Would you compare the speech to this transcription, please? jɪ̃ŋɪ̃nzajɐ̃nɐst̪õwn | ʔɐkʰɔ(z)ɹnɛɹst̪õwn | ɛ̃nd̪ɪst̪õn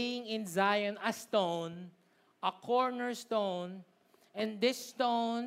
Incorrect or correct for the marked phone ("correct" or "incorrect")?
incorrect